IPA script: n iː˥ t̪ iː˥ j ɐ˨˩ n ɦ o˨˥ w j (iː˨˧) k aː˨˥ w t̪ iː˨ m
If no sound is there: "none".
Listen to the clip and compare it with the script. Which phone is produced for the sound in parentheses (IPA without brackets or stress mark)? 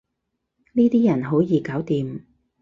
iː˨˧